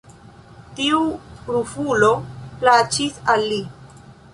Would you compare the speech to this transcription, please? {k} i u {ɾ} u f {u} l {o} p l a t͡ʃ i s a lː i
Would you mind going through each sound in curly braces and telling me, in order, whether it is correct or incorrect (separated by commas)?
incorrect, correct, correct, correct